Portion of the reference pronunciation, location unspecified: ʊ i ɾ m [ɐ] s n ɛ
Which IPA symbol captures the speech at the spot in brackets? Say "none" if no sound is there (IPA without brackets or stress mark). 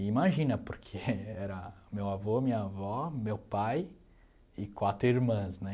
ɐ̃